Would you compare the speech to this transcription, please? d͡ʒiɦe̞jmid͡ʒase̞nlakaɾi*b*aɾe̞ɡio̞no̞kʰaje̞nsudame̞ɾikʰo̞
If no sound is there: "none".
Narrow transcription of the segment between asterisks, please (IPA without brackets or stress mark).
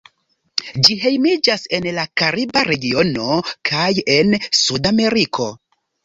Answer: b